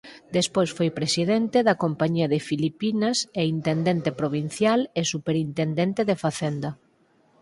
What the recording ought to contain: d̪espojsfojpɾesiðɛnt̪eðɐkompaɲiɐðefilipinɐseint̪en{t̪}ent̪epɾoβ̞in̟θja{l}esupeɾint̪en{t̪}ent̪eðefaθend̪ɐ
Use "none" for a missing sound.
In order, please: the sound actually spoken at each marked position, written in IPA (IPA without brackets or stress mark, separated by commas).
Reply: d̪, l, d̪